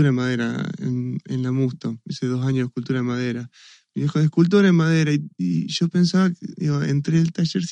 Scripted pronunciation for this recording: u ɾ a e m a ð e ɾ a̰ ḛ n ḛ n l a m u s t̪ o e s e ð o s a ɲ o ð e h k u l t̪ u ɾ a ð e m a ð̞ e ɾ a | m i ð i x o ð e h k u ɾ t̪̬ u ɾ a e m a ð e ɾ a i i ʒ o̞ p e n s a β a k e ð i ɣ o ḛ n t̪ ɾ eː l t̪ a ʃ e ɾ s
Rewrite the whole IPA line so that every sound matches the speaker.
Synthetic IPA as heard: u ɾ a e m a ð e ɾ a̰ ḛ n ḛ n l a m u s t̪ o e s e ð o s a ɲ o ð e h k u l t̪ u ɾ a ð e m a ð̞ e ɾ a | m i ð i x o ð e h k u l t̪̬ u ɾ a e m a ð e ɾ a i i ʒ o̞ p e n s a β a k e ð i ɣ o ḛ n t̪ ɾ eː l t̪ a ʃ e ɾ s